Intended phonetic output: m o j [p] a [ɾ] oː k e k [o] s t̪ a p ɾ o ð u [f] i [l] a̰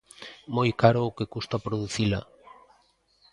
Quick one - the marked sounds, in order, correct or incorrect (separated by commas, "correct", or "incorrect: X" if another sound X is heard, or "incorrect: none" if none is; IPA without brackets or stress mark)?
incorrect: k, correct, incorrect: u, incorrect: θ, correct